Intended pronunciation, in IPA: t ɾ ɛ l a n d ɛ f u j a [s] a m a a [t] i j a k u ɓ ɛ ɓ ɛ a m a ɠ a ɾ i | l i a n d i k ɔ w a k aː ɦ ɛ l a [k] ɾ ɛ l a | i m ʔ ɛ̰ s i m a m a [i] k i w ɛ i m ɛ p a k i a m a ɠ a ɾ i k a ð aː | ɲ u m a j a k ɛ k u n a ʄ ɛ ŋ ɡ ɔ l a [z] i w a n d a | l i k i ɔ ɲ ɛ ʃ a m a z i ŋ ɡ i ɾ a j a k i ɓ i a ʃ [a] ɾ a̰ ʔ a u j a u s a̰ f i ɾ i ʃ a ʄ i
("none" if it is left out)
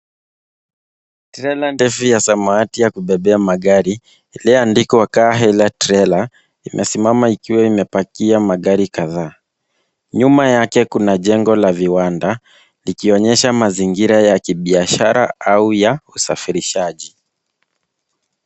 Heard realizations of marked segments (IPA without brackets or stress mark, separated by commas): s, t, t, i, v, a